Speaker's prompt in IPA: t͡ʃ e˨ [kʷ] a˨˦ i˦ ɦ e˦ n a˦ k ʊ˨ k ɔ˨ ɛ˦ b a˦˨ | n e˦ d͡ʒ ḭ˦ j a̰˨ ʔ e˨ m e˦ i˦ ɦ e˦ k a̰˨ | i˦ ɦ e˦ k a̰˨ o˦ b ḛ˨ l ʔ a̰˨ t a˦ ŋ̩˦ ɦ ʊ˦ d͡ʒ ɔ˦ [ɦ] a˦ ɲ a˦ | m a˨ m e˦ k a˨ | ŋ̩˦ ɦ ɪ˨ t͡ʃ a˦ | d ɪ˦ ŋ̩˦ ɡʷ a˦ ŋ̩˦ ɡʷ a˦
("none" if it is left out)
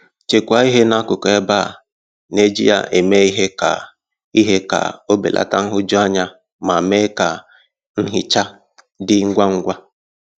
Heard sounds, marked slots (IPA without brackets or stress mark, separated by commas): kʷ, none